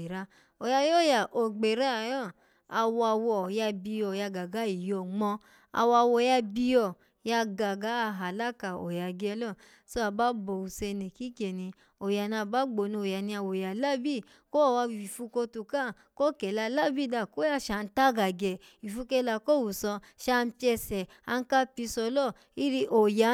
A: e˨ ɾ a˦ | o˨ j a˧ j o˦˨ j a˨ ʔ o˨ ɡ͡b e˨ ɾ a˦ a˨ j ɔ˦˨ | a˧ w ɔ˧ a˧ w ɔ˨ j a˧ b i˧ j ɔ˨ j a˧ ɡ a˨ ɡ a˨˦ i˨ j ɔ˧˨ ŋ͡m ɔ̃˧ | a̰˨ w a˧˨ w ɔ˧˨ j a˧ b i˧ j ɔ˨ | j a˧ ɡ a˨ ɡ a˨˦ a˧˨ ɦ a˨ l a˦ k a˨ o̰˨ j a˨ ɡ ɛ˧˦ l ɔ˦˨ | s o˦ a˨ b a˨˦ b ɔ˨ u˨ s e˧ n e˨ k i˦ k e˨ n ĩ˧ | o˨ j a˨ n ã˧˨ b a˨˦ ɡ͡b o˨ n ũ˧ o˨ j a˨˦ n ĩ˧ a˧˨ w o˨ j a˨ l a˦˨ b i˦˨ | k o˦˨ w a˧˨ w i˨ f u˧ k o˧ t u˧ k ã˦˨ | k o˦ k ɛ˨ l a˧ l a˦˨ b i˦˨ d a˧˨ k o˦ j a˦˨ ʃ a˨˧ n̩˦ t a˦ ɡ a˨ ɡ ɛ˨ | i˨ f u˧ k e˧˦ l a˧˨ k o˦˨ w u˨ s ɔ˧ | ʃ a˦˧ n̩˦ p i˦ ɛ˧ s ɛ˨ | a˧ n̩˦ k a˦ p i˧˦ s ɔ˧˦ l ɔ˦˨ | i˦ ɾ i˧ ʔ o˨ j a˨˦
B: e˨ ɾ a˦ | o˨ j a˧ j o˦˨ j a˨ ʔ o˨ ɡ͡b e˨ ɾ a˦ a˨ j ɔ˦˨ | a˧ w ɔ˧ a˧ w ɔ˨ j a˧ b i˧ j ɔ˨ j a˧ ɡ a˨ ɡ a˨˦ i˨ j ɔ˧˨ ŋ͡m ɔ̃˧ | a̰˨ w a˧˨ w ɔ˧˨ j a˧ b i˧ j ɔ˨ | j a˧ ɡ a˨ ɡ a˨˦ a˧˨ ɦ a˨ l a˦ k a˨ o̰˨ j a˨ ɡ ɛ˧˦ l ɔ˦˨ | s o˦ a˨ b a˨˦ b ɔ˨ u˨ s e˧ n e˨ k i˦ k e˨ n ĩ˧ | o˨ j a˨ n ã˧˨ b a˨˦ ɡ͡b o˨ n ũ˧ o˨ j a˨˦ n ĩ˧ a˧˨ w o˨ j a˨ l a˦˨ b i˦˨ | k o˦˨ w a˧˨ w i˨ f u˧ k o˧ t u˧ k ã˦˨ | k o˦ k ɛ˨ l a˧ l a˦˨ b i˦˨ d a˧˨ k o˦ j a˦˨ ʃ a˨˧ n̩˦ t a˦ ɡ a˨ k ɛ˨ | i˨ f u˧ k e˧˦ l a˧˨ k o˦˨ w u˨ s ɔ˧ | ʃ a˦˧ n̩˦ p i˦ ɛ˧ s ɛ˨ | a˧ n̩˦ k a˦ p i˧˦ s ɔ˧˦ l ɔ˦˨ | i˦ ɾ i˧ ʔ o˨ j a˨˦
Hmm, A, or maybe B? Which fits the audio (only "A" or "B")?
A